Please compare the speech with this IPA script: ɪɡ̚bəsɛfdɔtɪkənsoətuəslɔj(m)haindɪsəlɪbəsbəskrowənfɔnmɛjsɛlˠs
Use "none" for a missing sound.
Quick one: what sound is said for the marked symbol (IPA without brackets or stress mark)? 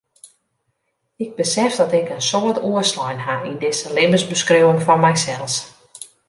n